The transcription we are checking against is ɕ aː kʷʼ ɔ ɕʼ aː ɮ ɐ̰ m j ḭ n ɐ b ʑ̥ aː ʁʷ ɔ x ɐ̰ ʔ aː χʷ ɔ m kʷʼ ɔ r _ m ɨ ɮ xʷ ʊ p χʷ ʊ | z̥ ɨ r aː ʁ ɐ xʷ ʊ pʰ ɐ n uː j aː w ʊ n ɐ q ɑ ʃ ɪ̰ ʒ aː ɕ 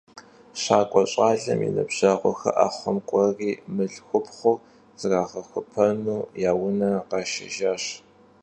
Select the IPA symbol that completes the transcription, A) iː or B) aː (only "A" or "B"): A